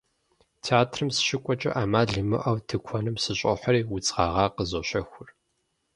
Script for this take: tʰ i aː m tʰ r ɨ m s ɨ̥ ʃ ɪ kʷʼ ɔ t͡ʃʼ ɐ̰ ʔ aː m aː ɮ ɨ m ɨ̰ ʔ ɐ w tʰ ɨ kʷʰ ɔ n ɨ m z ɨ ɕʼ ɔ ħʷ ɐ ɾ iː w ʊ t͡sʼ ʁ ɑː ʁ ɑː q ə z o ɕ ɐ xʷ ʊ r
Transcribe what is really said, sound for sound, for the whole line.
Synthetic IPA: tʰ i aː tʰ r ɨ m s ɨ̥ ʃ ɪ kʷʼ ɔ t͡ʃʼ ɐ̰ ʔ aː m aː ɮ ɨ m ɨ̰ ʔ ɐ w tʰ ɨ kʷʰ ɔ n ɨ m s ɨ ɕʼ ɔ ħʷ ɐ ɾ iː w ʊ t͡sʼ ʁ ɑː ʁ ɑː q ə z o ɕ ɐ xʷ ʊ r